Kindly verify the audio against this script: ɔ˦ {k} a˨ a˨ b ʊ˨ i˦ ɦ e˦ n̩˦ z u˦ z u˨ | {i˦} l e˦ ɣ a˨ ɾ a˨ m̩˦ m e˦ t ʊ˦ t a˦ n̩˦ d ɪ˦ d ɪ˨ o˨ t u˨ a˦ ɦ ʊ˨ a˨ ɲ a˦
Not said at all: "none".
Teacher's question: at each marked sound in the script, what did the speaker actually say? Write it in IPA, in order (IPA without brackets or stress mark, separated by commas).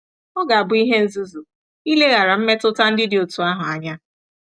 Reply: ɡ, i˦